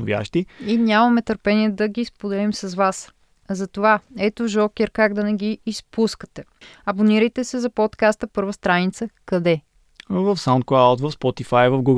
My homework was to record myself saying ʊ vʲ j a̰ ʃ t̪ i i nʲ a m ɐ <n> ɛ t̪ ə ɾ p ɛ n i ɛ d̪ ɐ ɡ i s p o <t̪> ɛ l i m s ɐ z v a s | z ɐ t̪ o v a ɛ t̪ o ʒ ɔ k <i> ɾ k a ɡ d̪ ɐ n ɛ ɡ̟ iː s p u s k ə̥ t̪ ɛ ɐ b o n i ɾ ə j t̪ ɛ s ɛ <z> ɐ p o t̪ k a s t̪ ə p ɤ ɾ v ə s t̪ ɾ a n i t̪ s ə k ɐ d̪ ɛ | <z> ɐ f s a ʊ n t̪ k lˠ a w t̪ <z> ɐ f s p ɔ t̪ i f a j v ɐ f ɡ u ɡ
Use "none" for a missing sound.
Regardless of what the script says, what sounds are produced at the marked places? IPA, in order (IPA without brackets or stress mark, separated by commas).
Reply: m, d̪, ɛ, z, v, v